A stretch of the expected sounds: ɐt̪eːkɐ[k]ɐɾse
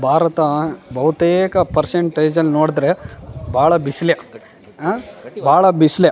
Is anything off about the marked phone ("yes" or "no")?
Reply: yes